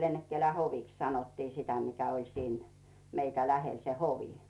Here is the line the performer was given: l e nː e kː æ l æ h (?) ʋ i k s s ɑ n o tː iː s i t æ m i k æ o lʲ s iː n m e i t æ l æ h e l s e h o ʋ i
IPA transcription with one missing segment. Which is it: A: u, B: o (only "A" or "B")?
B